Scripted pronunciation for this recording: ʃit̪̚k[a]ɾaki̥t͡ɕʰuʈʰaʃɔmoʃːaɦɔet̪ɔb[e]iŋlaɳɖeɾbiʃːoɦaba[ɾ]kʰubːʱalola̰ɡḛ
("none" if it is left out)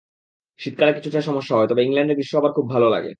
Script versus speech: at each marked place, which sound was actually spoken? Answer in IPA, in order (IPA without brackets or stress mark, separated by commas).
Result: a, e, ɾ